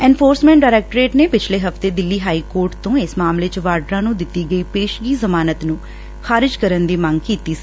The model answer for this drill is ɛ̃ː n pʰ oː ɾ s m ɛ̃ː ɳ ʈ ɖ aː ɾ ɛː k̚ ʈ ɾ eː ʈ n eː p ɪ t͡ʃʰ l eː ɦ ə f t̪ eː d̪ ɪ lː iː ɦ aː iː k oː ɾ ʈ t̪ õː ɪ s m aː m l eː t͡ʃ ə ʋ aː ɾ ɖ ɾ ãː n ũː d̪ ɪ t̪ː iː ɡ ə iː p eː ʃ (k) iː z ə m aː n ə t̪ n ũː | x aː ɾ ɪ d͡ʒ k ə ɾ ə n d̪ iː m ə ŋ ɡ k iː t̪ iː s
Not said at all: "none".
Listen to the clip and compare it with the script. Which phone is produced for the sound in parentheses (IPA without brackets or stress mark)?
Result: ɡ